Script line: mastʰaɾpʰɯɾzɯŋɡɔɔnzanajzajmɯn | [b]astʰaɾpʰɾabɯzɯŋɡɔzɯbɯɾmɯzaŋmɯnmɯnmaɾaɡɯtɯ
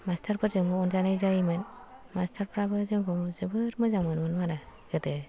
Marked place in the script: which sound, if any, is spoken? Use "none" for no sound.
m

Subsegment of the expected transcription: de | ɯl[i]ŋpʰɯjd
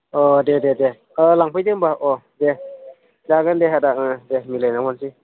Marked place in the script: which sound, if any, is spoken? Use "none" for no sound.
a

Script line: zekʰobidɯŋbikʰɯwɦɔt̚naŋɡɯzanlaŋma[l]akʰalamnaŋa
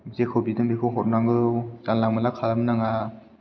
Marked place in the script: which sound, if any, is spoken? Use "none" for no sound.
l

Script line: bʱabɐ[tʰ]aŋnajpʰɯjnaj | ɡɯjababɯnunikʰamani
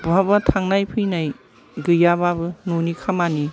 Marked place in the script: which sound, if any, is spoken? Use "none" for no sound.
tʰ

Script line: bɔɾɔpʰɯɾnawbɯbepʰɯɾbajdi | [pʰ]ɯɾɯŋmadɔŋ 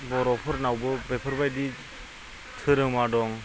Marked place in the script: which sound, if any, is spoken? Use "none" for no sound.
tʰ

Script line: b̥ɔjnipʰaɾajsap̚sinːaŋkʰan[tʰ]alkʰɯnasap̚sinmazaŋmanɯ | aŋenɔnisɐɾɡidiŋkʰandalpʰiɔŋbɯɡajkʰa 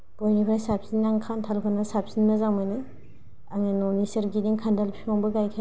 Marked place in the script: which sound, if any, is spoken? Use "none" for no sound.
tʰ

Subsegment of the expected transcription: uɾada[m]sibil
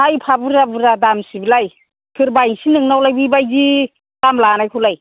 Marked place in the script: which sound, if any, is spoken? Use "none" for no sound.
m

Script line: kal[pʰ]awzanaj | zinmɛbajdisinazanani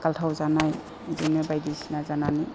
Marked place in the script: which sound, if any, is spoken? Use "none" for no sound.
tʰ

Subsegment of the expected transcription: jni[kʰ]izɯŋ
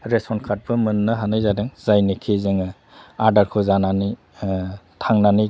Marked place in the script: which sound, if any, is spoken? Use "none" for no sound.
kʰ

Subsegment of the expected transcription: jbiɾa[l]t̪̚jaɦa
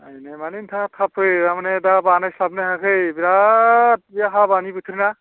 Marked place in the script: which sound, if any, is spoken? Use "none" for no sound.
none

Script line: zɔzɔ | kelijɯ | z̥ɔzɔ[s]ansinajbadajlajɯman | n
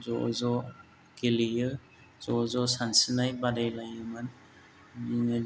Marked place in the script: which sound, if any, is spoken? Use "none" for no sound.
s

